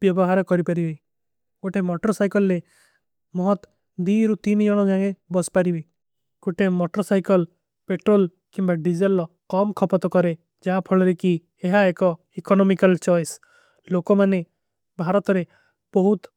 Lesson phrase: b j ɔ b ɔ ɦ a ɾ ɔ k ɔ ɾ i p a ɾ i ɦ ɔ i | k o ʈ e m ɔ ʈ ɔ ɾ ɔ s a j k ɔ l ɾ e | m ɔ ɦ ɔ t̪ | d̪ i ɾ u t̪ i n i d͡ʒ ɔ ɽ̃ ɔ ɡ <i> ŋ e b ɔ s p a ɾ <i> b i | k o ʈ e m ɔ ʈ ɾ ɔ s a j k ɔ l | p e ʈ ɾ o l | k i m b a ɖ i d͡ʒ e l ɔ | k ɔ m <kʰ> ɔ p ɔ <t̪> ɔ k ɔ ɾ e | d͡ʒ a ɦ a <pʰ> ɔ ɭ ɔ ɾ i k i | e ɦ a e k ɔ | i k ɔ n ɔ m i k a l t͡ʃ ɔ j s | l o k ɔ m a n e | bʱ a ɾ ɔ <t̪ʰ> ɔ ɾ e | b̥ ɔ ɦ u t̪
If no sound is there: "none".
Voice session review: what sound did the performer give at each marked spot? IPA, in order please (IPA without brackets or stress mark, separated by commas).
a, i, kʰ, t̪, pʰ, t̪